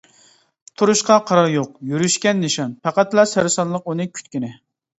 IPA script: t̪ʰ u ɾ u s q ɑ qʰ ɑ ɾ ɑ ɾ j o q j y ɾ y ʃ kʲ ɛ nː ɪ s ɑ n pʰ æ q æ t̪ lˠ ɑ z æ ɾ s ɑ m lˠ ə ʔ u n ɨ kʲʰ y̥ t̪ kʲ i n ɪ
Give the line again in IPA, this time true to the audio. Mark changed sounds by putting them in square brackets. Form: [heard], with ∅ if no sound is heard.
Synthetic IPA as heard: t̪ʰ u ɾ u [ʃ] q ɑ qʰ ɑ ɾ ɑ ɾ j o q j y ɾ y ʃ kʲ ɛ nː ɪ [ʃ] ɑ n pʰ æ q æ t̪ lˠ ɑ [s] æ ɾ s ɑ [n] lˠ ə [q] u n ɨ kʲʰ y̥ t̪ kʲ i n ɪ